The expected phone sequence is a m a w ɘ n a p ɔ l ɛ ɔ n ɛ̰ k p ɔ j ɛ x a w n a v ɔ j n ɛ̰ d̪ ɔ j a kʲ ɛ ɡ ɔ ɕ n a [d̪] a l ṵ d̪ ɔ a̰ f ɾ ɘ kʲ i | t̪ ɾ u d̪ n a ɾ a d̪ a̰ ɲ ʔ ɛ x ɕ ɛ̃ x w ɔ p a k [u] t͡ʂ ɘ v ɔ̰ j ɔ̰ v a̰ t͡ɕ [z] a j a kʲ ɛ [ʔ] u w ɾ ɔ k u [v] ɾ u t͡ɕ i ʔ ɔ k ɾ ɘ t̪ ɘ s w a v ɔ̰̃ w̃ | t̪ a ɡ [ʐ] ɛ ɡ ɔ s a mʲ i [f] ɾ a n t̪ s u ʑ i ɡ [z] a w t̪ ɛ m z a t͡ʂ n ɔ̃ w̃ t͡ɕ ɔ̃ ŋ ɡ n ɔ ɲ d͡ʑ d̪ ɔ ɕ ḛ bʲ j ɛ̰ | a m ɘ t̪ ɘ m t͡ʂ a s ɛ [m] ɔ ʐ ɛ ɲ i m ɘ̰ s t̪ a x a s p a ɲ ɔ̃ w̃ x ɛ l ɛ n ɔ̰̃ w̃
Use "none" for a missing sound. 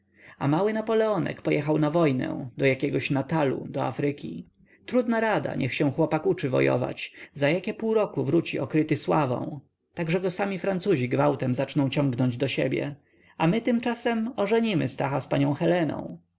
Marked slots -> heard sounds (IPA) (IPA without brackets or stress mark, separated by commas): t̪, u, z, p, v, ʐ, f, v, m